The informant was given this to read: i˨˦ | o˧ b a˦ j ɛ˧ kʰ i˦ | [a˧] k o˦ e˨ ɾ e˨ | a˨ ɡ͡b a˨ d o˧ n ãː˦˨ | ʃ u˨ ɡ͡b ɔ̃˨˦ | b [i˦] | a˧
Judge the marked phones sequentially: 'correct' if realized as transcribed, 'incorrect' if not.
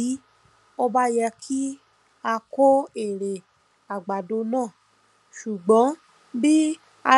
correct, correct

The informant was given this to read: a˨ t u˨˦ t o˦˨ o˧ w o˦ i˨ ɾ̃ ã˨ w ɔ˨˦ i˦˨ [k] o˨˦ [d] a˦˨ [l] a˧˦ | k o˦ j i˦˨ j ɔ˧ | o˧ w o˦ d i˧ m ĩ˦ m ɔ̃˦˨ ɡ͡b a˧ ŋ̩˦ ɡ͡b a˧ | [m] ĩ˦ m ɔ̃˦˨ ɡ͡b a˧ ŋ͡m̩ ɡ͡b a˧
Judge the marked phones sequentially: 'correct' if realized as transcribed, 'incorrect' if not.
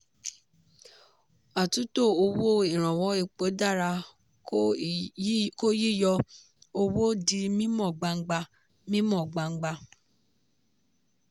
incorrect: k͡p, correct, incorrect: ɾ, correct

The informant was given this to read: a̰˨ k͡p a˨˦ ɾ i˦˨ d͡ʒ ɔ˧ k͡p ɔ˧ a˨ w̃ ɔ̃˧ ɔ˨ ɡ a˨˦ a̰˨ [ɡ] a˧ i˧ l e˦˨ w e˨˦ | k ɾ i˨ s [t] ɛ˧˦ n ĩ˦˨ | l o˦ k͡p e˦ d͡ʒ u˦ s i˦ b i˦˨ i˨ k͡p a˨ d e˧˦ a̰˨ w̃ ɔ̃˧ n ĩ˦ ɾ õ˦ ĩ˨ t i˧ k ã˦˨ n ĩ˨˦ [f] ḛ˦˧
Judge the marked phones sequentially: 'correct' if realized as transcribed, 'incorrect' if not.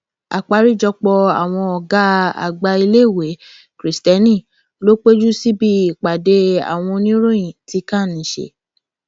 incorrect: ɡ͡b, correct, incorrect: ʃ

